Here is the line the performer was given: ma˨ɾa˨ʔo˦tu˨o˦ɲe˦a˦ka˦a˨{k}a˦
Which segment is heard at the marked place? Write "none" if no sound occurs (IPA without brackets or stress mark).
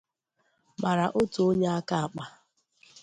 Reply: k͡p